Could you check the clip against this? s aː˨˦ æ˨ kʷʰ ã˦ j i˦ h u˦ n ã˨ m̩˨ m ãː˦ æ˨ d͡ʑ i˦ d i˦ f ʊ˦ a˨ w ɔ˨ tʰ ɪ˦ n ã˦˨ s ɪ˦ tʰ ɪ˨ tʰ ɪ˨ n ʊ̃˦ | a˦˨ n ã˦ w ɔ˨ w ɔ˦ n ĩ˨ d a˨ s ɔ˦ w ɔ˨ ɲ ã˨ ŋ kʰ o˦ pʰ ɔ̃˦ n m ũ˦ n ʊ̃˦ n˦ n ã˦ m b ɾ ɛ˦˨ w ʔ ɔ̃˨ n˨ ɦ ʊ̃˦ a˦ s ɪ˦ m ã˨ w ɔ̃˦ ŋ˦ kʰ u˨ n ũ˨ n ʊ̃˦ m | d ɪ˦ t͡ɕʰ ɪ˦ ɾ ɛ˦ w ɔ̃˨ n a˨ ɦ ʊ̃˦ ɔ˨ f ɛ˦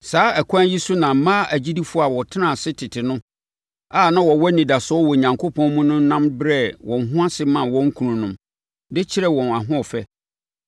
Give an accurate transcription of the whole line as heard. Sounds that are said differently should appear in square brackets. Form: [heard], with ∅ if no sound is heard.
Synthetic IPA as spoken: s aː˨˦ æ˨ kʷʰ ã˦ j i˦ [s] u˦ n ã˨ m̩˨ m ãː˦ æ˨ d͡ʑ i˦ d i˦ f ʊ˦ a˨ w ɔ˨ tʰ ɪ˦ n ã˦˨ s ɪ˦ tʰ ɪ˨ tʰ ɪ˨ n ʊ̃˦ | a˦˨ n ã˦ w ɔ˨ w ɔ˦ n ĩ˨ d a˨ s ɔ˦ w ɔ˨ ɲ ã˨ ŋ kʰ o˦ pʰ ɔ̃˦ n m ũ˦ n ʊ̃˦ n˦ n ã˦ m b ɾ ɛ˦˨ w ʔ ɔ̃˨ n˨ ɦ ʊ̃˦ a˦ s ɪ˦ m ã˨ w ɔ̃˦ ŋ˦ kʰ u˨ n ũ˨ n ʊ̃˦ m | d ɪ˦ t͡ɕʰ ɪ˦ ɾ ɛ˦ w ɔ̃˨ n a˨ ɦ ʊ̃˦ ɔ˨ f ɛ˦

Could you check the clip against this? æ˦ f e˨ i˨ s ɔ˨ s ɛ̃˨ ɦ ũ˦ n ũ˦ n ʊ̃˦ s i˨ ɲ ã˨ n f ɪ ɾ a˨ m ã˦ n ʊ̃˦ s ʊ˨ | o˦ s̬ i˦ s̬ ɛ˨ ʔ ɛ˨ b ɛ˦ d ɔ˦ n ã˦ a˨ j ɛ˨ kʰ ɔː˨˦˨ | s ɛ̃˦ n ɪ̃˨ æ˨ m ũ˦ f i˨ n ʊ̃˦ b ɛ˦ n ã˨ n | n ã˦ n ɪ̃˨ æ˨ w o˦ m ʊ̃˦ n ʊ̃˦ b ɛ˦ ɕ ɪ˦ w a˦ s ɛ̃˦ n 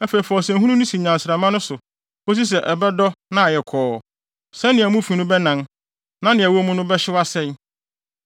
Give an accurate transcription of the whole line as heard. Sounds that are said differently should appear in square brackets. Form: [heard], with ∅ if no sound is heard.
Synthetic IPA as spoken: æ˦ f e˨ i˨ [f] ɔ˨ s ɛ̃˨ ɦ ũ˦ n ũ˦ n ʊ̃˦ s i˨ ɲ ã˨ n [s] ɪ ɾ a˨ m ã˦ n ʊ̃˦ s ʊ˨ | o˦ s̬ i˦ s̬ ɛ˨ ʔ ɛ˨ b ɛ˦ d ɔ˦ n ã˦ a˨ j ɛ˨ kʰ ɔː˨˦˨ | s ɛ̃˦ n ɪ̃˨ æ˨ m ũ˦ f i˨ n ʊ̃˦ b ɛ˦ n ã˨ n | n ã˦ n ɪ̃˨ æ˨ w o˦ m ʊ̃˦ n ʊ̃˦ b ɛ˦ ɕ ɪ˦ w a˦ s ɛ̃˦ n

